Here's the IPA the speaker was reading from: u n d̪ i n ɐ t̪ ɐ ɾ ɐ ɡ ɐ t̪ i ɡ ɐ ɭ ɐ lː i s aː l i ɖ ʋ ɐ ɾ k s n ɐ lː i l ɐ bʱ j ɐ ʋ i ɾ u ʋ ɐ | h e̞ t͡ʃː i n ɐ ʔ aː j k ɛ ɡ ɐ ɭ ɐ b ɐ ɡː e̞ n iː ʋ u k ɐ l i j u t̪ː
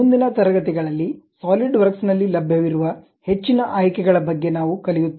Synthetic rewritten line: u n d̪ i n ɐ t̪ ɐ ɾ ɐ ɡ ɐ t̪ i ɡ ɐ ɭ ɐ lː i s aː l i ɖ ʋ ɐ ɾ k s n ɐ lː i l ɐ bʱ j ɐ ʋ i ɾ u ʋ ɐ | h e̞ t͡ʃː i n ɐ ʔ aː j k ɛ ɡ ɐ ɭ ɐ b ɐ ɡː e̞ n aː ʋ u k ɐ l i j u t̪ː